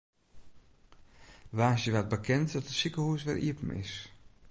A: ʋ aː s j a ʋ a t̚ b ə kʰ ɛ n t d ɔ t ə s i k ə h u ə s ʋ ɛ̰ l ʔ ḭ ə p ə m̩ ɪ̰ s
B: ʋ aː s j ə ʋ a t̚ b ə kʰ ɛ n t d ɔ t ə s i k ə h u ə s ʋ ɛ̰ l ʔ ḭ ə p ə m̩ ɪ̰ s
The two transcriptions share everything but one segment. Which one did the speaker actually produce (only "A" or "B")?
B